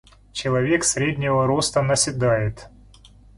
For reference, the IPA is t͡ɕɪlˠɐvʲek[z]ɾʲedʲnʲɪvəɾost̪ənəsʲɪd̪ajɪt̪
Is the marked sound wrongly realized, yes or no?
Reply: yes